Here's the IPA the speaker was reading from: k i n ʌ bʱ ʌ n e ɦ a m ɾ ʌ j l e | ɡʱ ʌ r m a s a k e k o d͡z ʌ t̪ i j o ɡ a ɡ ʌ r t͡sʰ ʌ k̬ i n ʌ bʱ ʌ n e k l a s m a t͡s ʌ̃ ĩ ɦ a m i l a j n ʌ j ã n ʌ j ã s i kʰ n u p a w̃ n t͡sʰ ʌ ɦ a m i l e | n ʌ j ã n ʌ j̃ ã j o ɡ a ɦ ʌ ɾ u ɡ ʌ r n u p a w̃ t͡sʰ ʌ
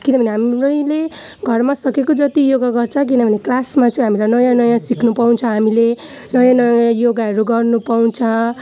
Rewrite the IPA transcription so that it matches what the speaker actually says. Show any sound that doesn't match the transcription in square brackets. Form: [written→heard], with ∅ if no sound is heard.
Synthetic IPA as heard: k i n ʌ bʱ ʌ n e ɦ a m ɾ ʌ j l e | ɡʱ ʌ r m a s [a→ʌ] k e k o d͡z ʌ t̪ i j o ɡ a ɡ ʌ r t͡sʰ ʌ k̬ i n ʌ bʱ ʌ n e k l a s m a t͡s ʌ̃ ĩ ɦ a m i l a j n ʌ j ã n ʌ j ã s i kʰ n u p a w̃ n t͡sʰ ʌ ɦ a m i l e | n ʌ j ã n ʌ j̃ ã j o ɡ a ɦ ʌ ɾ u ɡ ʌ r n u p a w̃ t͡sʰ ʌ